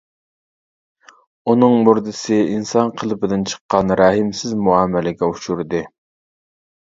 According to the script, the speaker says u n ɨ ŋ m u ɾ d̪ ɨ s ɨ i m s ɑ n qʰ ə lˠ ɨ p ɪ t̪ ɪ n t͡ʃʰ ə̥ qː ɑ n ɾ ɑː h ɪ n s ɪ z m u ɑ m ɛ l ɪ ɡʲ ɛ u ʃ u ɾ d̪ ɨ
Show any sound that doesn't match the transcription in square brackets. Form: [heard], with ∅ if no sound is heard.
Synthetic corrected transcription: u n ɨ ŋ m u ɾ d̪ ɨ s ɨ i [n] s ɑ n qʰ ə lˠ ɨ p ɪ [d̪] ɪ n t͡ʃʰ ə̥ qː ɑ n ɾ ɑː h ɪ [m] s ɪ z m u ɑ m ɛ l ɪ ɡʲ ɛ u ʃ u ɾ d̪ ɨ